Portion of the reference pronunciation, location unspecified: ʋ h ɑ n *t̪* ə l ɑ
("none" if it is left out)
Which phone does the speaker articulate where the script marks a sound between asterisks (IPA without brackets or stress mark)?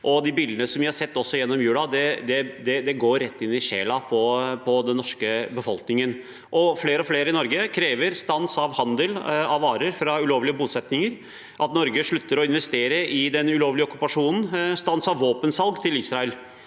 d̪